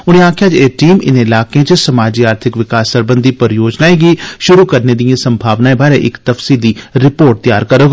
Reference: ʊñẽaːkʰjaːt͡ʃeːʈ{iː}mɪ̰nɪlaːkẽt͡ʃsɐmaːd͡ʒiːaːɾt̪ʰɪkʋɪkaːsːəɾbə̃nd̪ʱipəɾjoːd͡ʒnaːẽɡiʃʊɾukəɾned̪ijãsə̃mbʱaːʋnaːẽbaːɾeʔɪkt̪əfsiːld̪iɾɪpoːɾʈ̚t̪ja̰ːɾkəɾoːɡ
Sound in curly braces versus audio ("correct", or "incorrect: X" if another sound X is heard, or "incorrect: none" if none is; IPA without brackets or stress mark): correct